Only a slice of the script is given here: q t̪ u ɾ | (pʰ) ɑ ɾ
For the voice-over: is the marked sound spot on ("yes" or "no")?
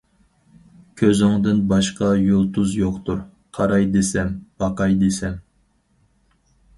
no